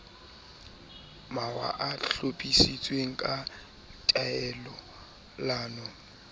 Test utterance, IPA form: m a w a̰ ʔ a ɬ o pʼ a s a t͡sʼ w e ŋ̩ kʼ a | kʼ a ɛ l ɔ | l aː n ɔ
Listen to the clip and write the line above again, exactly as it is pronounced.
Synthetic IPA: m a w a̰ ʔ a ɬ o pʼ i s i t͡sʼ w e ŋ̩ kʼ a | tʼ a ɛ l ɔ | l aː n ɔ